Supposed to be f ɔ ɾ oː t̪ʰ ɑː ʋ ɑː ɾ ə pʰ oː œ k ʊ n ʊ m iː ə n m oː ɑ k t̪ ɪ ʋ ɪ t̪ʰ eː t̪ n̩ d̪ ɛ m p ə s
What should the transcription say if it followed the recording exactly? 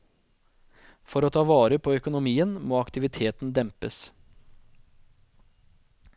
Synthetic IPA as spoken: f ɔ ɾ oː t̪ʰ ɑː ʋ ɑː ɾ ə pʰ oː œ k ʊ n ʊ m iː ə n m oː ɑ k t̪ ɪ ʋ ɪ t̪ʰ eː t̪ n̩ d̪ ɛ m p ə s

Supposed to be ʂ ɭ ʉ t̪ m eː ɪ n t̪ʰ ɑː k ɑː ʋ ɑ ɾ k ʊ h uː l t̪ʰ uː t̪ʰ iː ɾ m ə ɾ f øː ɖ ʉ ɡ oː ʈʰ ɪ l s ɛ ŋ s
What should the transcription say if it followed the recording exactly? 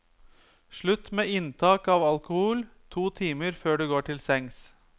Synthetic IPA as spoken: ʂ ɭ ʉ t̪ m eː ɪ n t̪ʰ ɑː k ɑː ʋ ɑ l k ʊ h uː l t̪ʰ uː t̪ʰ iː m ə ɾ f øː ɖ ʉ ɡ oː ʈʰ ɪ l s ɛ ŋ s

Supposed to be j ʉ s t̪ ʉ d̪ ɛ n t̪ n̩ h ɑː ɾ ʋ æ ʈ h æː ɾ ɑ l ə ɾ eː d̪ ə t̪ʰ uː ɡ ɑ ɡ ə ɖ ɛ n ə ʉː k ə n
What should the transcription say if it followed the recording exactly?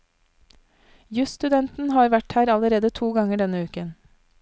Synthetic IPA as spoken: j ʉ s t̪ ʉ d̪ ɛ n t̪ n̩ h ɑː ɾ ʋ æ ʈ h æː ɾ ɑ l ə ɾ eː d̪ ə t̪ʰ uː ɡ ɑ ŋ ə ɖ ɛ n ə ʉː k ə n

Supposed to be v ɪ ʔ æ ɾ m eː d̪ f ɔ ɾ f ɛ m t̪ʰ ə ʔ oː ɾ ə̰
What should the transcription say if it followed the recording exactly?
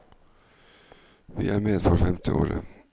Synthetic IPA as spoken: v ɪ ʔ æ ɾ m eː d̪ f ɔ ɾ f ɛ m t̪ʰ ə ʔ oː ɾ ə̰

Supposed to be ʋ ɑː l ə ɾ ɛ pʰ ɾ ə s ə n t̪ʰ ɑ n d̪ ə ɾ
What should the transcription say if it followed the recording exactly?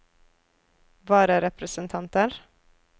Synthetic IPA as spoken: ʋ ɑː ɾ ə ɾ ɛ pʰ ɾ ə s ə n t̪ʰ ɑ n t̪ ə ɾ

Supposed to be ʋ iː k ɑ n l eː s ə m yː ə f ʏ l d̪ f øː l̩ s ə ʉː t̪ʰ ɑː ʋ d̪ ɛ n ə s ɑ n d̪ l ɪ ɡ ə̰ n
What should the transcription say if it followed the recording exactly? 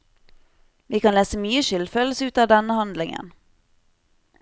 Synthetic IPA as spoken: ʋ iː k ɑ n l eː s ə m yː ə ʃ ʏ l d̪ f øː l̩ s ə ʉː t̪ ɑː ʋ d̪ ɛ n ə h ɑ n d̪ l ɪ ŋ ə̰ n

